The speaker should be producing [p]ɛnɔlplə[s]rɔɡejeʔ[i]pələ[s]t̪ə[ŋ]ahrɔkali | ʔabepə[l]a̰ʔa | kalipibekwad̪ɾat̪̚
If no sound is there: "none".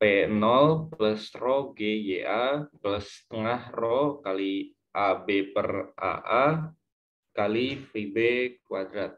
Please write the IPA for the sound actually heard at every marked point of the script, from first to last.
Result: p, s, a, s, ŋ, r

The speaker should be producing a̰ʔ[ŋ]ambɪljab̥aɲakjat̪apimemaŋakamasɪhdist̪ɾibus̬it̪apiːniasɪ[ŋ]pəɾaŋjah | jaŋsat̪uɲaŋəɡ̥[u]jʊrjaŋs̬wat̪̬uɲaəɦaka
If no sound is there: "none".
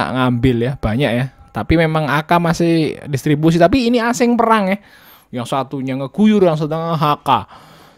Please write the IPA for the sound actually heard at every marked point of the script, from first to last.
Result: ŋ, ŋ, u

